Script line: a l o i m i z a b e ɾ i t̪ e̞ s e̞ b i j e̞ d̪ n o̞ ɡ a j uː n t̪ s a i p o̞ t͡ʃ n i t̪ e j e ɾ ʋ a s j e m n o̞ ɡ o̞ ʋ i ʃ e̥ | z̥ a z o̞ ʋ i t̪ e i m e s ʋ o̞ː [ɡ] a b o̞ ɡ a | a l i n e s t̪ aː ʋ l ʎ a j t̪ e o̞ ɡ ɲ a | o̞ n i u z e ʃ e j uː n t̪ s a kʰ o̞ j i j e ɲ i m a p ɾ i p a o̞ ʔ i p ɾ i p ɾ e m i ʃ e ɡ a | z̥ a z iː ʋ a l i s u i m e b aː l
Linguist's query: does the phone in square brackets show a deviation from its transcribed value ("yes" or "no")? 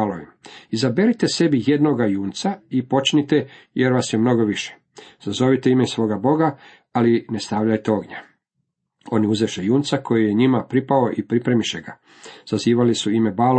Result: no